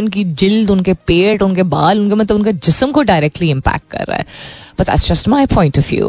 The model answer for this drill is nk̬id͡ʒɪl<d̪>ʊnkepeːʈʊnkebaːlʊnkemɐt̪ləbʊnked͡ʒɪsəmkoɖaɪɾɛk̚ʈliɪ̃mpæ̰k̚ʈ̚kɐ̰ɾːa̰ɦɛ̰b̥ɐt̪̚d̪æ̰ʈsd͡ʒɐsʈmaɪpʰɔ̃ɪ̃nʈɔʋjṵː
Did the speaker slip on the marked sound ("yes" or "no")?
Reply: no